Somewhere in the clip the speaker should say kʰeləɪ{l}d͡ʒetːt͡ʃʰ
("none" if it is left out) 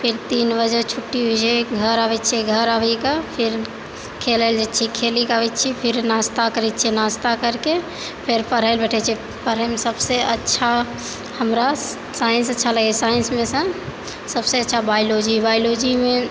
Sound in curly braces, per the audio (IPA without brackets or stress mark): l